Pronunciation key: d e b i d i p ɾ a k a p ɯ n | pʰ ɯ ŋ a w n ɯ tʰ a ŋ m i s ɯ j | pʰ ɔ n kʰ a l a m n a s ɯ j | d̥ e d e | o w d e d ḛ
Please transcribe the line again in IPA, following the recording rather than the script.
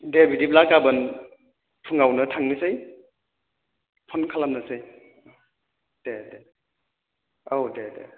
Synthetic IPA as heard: d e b i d i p l a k a b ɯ n | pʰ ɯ ŋ a w n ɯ tʰ a ŋ n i s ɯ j | pʰ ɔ n kʰ a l a m n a s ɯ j | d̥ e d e | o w d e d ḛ